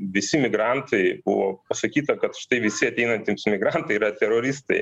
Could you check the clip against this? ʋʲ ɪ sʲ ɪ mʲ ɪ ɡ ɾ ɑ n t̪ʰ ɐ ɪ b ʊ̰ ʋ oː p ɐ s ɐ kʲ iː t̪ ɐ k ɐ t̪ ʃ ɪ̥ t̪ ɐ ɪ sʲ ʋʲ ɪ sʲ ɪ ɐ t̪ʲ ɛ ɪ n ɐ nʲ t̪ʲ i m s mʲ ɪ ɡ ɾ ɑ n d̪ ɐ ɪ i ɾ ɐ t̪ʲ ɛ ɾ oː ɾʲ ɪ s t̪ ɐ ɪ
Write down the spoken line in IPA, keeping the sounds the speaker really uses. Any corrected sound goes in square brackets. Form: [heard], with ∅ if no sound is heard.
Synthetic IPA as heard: ʋʲ ɪ sʲ ɪ mʲ ɪ ɡ ɾ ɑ n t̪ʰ ɐ ɪ b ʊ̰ ʋ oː p ɐ s ɐ kʲ iː t̪ ɐ k ɐ t̪ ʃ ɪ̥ t̪ ɐ ɪ [∅] ʋʲ ɪ sʲ ɪ ɐ t̪ʲ ɛ ɪ n ɐ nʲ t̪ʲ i m s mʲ ɪ ɡ ɾ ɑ n [t̪] ɐ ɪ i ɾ ɐ t̪ʲ ɛ ɾ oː ɾʲ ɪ s t̪ ɐ ɪ

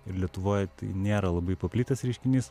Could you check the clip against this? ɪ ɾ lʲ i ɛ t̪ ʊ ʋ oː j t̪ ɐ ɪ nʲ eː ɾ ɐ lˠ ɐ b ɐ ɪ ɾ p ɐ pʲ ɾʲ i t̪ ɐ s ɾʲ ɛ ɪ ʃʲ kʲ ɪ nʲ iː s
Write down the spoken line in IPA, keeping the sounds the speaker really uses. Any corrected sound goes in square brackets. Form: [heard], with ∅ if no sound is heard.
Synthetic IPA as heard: ɪ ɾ lʲ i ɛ t̪ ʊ ʋ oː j t̪ ɐ ɪ nʲ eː ɾ ɐ lˠ ɐ b ɐ ɪ [∅] p ɐ pʲ [lʲ] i t̪ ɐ s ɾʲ ɛ ɪ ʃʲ kʲ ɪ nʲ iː s

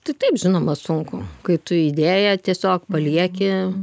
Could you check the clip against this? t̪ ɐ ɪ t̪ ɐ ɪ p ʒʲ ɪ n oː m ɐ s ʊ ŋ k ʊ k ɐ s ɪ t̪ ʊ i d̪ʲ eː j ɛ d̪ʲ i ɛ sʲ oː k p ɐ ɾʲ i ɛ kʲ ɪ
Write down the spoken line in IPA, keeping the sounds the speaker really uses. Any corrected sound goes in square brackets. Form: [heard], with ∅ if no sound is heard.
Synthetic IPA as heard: t̪ ɐ ɪ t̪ ɐ ɪ p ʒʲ ɪ n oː m ɐ s ʊ ŋ k ʊ k ɐ [∅] ɪ t̪ ʊ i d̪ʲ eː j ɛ [t̪ʲ] i ɛ sʲ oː k p ɐ [lʲ] i ɛ kʲ ɪ

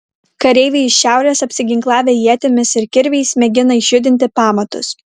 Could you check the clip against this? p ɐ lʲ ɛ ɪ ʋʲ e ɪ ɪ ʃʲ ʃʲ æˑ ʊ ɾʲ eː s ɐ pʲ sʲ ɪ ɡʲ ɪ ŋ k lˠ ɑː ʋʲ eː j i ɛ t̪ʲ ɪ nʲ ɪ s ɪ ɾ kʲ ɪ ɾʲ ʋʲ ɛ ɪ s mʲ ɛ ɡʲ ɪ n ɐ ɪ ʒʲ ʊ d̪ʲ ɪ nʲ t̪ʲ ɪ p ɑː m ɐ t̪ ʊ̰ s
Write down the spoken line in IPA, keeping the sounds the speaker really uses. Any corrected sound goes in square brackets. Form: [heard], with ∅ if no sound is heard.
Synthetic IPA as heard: [k] ɐ [ɾʲ] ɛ ɪ ʋʲ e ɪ ɪ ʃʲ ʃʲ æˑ ʊ ɾʲ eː s ɐ pʲ sʲ ɪ ɡʲ ɪ ŋ k lˠ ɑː ʋʲ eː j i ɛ t̪ʲ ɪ [mʲ] ɪ s ɪ ɾ kʲ ɪ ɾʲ ʋʲ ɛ ɪ s mʲ ɛ ɡʲ ɪ n ɐ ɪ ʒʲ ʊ d̪ʲ ɪ nʲ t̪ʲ ɪ p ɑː m ɐ t̪ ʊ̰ s

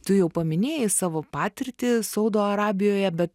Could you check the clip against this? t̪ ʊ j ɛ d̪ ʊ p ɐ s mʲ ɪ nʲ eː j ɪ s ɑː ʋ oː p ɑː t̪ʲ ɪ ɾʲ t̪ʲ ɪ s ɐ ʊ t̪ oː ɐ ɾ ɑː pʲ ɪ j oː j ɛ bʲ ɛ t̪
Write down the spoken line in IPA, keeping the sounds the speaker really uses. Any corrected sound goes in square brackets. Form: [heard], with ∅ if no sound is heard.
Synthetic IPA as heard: t̪ ʊ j ɛ [∅] ʊ p ɐ [∅] mʲ ɪ nʲ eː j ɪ s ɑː ʋ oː p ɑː t̪ʲ ɪ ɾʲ t̪ʲ ɪ s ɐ ʊ [d̪] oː ɐ ɾ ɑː [bʲ] ɪ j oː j ɛ bʲ ɛ t̪

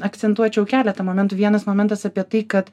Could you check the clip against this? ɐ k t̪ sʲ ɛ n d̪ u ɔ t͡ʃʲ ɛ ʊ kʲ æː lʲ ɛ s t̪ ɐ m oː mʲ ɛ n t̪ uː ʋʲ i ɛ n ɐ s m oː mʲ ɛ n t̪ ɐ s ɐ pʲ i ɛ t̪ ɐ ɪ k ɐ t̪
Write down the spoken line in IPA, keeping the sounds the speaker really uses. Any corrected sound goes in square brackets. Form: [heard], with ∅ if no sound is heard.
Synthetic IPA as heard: ɐ k t̪ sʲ ɛ n [t̪] u ɔ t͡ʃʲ ɛ ʊ kʲ æː lʲ ɛ [∅] t̪ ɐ m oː mʲ ɛ n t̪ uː ʋʲ i ɛ n ɐ s m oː mʲ ɛ n t̪ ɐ s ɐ pʲ i ɛ t̪ ɐ ɪ k ɐ t̪

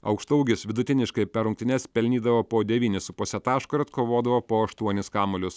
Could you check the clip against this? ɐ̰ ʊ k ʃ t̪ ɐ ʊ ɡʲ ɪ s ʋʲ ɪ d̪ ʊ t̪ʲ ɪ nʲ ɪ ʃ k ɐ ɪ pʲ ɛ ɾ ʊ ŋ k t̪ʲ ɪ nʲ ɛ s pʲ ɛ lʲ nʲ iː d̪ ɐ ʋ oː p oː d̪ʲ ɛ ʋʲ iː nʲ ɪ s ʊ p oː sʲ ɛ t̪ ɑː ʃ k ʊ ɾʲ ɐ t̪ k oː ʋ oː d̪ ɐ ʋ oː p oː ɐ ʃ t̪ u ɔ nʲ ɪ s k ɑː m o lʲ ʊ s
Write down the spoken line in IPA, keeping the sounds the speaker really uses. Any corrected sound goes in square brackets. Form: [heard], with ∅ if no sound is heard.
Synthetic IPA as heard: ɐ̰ ʊ k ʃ t̪ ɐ ʊ ɡʲ ɪ s ʋʲ ɪ d̪ ʊ t̪ʲ ɪ nʲ ɪ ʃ k ɐ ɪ pʲ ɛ ɾ ʊ ŋ k t̪ʲ ɪ nʲ ɛ s pʲ ɛ lʲ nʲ iː d̪ ɐ ʋ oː p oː d̪ʲ ɛ ʋʲ iː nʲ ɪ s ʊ p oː sʲ ɛ t̪ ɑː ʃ k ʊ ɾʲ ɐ t̪ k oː ʋ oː d̪ ɐ ʋ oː p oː ɐ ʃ t̪ u ɔ nʲ ɪ s k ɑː m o lʲ ʊ s

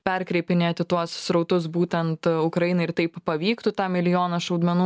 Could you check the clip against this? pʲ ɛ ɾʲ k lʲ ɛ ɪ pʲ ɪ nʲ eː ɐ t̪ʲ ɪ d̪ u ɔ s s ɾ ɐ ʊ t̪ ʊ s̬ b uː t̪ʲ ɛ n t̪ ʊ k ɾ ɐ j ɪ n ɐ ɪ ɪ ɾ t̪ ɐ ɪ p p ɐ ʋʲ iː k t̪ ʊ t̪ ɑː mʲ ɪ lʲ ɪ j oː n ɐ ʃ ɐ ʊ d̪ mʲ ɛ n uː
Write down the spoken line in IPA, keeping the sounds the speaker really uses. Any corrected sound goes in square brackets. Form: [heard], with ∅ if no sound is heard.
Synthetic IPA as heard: pʲ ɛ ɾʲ k [ɾʲ] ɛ ɪ pʲ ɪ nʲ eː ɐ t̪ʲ ɪ [t̪] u ɔ s s ɾ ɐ ʊ t̪ ʊ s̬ b uː t̪ʲ ɛ n t̪ ʊ k ɾ ɐ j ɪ n ɐ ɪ ɪ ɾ t̪ ɐ ɪ p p ɐ ʋʲ iː k t̪ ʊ t̪ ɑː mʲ ɪ lʲ ɪ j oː n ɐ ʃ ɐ ʊ d̪ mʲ ɛ n uː

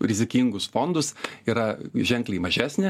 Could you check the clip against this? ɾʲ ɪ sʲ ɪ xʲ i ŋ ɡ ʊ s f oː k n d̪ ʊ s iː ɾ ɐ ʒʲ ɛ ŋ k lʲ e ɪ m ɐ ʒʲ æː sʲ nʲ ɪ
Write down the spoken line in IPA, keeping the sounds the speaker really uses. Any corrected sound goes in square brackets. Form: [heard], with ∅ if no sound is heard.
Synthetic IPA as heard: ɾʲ ɪ [zʲ] ɪ [kʲ] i ŋ ɡ ʊ s f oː [∅] n d̪ ʊ s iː ɾ ɐ ʒʲ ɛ ŋ k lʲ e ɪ m ɐ ʒʲ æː sʲ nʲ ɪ

